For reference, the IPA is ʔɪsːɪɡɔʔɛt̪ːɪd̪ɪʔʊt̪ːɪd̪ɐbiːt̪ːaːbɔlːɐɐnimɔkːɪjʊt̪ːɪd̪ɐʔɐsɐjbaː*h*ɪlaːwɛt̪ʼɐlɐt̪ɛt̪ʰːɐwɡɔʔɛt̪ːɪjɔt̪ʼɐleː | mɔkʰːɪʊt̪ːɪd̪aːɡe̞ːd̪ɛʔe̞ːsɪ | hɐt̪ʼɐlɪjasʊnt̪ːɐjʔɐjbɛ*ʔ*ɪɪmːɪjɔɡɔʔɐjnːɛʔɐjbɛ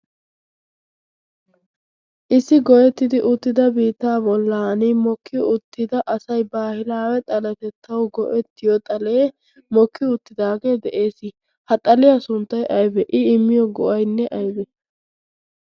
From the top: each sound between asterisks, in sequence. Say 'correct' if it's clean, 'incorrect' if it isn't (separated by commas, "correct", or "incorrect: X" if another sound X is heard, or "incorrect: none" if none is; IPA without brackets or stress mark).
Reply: correct, correct